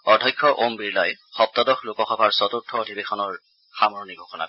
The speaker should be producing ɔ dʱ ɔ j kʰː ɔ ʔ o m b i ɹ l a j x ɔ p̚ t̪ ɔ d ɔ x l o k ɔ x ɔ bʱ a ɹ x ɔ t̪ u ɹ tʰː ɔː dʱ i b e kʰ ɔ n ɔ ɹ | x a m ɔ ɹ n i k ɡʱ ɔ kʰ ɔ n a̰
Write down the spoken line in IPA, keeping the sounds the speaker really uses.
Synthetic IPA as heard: ɔ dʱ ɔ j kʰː ɔ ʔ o m b i ɹ l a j x ɔ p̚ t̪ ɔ d ɔ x l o k ɔ x ɔ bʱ a ɹ s ɔ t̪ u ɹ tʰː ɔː dʱ i b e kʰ ɔ n ɔ ɹ | x a m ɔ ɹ n i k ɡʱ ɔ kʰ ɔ n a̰